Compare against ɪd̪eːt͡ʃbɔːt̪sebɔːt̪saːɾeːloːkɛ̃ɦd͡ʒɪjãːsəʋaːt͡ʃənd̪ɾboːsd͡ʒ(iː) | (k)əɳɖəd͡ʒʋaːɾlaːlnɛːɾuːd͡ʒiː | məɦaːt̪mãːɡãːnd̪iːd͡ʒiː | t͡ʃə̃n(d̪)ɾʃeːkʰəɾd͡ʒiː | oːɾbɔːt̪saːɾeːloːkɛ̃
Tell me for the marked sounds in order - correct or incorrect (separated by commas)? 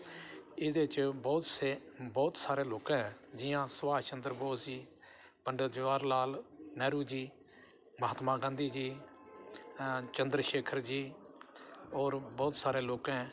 correct, incorrect, correct